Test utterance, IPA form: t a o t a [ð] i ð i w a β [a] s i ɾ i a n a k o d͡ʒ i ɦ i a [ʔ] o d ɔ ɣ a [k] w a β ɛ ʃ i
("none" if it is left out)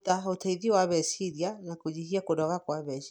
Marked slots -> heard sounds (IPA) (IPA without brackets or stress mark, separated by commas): none, ɛ, k, k